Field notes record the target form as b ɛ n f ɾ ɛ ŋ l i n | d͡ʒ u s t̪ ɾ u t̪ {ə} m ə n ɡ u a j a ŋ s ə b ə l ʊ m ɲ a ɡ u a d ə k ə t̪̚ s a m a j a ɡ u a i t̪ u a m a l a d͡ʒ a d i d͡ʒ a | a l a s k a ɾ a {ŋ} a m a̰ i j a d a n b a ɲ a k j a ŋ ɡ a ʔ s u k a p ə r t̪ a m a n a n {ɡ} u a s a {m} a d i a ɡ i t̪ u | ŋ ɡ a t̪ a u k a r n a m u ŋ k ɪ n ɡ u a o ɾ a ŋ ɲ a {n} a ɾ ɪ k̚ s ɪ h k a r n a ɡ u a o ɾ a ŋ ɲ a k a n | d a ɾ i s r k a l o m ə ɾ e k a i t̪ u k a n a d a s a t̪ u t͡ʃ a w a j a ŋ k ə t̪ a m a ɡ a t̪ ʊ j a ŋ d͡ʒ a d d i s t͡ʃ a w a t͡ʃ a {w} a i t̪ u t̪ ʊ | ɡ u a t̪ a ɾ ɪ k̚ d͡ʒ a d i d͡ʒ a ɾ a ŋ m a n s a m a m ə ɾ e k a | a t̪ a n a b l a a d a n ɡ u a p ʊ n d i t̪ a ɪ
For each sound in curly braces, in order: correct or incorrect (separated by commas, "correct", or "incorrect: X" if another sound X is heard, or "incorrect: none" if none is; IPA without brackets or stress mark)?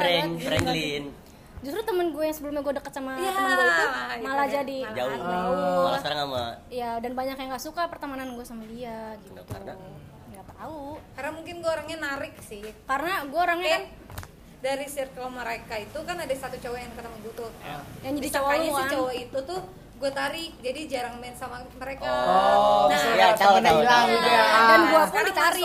correct, correct, correct, correct, correct, correct